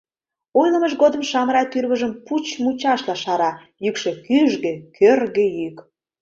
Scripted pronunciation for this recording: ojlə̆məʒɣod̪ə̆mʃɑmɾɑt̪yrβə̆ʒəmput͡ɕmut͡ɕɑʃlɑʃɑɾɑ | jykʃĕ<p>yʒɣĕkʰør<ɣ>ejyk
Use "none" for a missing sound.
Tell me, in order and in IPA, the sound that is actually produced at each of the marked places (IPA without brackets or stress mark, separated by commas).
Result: k, ɣ